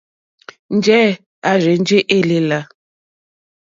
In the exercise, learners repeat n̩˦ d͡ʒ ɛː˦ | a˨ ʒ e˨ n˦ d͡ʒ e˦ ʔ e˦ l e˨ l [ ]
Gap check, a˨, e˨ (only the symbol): a˨